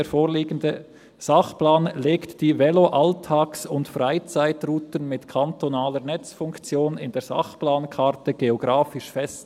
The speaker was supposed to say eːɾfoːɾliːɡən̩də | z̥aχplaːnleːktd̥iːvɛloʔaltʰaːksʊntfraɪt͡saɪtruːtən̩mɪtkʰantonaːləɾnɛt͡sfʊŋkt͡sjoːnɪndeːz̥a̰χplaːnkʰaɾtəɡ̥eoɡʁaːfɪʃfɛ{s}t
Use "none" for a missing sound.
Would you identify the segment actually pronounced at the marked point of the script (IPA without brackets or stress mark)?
s